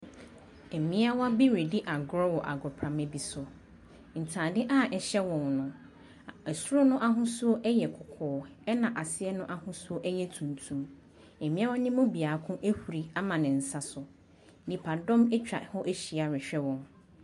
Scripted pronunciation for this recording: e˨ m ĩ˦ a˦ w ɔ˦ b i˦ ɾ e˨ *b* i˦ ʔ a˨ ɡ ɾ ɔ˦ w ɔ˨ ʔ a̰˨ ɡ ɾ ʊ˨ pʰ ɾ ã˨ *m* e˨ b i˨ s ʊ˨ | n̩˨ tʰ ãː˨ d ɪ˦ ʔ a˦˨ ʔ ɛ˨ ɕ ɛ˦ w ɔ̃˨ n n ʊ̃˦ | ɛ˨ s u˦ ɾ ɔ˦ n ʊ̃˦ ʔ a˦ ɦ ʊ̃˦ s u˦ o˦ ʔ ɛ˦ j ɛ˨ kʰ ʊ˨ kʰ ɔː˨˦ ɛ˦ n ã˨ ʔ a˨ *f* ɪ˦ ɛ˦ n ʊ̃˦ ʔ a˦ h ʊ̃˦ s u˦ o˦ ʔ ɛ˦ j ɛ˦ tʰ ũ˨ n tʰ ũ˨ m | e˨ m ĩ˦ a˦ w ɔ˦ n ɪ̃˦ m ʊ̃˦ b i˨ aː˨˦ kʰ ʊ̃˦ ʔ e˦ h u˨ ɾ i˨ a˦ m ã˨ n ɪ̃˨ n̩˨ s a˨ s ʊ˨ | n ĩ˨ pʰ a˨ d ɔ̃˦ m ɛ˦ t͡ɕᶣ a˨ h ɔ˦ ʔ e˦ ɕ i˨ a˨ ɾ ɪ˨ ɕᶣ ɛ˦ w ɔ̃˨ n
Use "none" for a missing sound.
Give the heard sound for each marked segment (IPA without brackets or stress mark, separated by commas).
d, m, s